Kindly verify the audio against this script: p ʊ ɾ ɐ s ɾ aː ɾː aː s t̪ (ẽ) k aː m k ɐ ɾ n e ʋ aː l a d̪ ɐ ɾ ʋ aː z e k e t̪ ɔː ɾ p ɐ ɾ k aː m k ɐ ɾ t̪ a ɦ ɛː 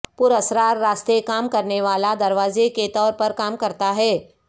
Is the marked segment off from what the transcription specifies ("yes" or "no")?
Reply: yes